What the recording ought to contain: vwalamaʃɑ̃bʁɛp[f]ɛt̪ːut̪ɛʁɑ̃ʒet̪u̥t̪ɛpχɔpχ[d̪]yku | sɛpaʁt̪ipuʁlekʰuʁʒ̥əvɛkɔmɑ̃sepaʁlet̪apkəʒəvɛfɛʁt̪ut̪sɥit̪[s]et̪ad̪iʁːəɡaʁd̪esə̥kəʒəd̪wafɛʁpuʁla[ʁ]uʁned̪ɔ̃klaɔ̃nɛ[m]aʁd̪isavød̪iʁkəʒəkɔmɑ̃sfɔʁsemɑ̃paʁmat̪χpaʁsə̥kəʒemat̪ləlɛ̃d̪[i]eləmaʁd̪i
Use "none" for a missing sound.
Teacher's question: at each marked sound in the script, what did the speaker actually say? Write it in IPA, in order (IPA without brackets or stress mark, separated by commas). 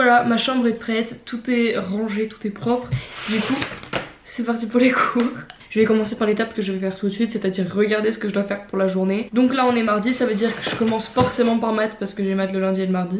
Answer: χ, d̪, s, ʒ, m, i